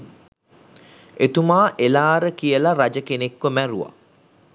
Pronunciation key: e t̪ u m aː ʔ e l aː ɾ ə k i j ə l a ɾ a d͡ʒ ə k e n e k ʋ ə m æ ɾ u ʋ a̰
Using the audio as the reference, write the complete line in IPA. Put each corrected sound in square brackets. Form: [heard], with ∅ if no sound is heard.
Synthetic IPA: e t̪ u m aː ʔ e l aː ɾ ə k i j ə l a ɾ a d͡ʒ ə k e n e k ʋ ə m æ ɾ u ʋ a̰